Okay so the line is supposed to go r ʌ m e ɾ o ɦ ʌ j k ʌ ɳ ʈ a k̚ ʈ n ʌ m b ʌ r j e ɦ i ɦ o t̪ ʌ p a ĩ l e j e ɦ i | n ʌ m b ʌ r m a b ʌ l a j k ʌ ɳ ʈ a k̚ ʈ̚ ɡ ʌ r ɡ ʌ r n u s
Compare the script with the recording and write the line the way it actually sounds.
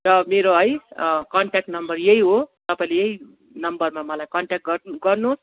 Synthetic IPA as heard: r ʌ m e ɾ o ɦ ʌ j k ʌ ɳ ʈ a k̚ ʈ n ʌ m b ʌ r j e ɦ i ɦ o t̪ ʌ p a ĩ l e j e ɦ i | n ʌ m b ʌ r m a m ʌ l a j k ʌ ɳ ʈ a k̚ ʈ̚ ɡ ʌ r ɡ ʌ r n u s

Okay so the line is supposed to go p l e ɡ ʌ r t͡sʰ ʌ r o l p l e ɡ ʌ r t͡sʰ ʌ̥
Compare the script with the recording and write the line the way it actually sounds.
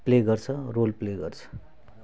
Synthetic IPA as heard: p l e ɡ ʌ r t͡sʰ ʌ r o l p l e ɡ ʌ r t͡sʰ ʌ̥

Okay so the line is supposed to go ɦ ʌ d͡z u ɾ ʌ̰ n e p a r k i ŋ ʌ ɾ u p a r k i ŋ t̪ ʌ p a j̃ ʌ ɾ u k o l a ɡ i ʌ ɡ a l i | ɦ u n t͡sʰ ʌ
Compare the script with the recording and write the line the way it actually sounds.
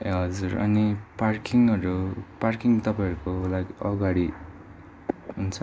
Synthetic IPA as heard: ɦ ʌ d͡z u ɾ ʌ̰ n i p a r k i ŋ ʌ ɾ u p a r k i ŋ t̪ ʌ p a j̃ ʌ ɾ u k o l a ɡ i ʌ ɡ a ɽ i | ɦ u n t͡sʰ ʌ

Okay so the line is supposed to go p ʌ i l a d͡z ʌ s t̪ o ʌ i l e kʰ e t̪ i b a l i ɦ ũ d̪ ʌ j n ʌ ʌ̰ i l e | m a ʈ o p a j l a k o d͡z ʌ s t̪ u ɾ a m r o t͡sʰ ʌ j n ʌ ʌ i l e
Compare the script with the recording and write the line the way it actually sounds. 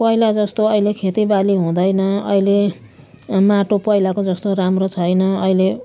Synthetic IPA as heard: p ʌ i l a d͡z ʌ s t̪ o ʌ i l e kʰ e t̪ i b a l i ɦ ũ d̪ ʌ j n ʌ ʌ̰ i l e | m a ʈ o p ʌ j l a k o d͡z ʌ s t̪ o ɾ a m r o t͡sʰ ʌ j n ʌ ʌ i l e

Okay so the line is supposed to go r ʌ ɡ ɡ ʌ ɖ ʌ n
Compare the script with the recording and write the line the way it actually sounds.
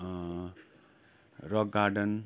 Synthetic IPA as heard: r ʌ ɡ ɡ a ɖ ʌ n

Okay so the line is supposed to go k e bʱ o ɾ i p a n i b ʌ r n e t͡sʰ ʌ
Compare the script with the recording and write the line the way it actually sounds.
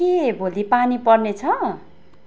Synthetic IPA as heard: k e bʱ o l i p a n i p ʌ r n e t͡sʰ ʌ

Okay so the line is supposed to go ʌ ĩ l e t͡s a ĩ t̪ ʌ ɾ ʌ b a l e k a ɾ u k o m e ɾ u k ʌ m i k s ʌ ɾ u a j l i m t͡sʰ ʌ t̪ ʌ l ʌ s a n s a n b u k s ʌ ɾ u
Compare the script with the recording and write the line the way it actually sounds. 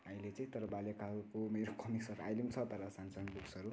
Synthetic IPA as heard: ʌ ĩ l e t͡s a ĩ t̪ ʌ ɾ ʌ b a l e k a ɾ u k o m e ɾ o k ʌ m i k s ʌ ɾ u a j l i m t͡sʰ ʌ t̪ ʌ ɾ ʌ s a n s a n b u k s ʌ ɾ u

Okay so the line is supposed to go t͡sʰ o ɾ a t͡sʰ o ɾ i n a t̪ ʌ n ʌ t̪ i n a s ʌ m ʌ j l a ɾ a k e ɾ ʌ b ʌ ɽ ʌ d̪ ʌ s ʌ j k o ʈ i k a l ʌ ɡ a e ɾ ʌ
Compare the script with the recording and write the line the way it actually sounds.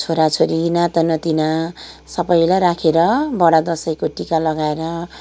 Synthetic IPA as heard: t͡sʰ o ɾ a t͡sʰ o ɾ i n a t̪ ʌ n ʌ t̪ i n a s ʌ b ʌ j l a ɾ a kʰ e ɾ ʌ b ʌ ɽ a d̪ ʌ s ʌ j k o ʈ i k a l ʌ ɡ a e ɾ ʌ

